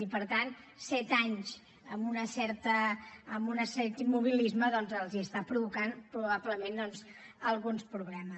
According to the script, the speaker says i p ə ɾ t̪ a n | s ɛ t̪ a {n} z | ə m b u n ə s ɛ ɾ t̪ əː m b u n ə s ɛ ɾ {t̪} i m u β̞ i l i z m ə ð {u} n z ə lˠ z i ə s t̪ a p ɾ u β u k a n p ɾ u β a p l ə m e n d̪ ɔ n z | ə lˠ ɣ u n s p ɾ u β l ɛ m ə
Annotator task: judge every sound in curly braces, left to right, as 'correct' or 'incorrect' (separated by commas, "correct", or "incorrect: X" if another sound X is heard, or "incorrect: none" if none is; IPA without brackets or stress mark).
incorrect: ɲ, correct, incorrect: ɔ